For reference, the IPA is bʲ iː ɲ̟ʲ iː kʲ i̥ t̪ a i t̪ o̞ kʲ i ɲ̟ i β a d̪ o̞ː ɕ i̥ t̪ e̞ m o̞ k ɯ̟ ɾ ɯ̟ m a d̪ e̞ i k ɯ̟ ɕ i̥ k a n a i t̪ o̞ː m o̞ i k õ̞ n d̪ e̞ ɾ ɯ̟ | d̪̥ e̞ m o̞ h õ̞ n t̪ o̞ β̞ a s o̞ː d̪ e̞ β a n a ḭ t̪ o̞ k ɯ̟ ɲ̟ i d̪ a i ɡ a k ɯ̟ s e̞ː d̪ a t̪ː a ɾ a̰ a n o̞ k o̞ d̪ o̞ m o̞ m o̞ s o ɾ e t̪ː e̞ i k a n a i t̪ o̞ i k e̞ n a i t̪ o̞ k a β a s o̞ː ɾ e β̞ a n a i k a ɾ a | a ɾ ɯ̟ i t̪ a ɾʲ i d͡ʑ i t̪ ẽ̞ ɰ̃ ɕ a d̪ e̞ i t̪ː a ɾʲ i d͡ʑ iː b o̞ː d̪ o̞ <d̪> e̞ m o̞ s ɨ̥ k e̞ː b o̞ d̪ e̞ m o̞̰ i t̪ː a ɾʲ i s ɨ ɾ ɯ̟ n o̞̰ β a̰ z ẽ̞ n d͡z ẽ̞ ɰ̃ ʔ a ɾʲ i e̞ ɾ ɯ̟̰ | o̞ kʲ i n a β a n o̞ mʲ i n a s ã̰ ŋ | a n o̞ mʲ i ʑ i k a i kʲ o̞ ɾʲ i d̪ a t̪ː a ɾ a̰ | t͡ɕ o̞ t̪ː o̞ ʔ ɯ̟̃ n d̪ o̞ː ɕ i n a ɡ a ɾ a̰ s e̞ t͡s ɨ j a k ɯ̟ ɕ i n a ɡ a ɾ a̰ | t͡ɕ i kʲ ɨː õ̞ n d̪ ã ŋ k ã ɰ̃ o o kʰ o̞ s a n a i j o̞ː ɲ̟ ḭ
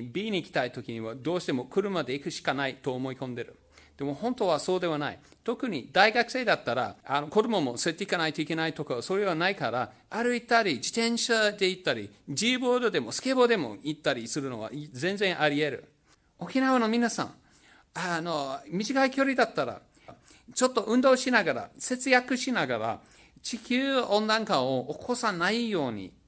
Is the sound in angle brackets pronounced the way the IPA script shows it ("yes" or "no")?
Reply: yes